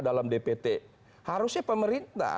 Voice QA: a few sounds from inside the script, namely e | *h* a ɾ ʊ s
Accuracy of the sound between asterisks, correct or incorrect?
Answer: correct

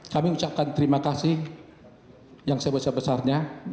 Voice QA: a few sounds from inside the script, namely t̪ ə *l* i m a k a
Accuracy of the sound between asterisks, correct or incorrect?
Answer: incorrect: ɾ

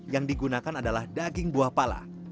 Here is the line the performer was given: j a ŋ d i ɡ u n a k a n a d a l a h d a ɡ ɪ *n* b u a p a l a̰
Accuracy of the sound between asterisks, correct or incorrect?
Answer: incorrect: ŋ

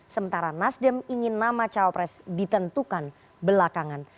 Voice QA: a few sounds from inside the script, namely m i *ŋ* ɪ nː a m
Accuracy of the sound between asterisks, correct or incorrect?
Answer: correct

